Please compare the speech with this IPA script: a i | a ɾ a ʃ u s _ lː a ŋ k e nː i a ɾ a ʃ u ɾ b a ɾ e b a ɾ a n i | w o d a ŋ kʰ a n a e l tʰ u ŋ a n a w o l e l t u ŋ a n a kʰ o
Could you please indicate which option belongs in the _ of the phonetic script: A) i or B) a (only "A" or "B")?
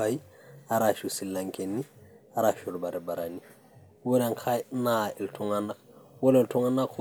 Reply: A